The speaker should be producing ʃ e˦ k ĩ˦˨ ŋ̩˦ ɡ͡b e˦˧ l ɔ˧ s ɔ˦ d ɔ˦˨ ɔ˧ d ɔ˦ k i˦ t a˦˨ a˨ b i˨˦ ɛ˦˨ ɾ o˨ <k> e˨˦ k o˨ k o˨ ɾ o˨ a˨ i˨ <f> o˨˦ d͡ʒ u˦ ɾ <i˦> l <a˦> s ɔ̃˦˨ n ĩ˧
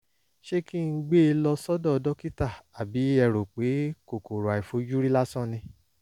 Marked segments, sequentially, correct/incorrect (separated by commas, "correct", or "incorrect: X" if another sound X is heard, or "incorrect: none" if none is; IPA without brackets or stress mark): incorrect: k͡p, correct, correct, correct